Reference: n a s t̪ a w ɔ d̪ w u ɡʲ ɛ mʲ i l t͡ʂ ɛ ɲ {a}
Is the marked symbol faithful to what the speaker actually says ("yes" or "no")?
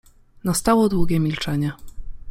no